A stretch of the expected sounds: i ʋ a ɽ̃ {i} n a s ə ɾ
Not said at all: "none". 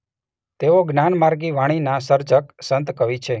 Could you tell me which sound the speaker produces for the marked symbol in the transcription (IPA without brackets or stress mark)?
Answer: i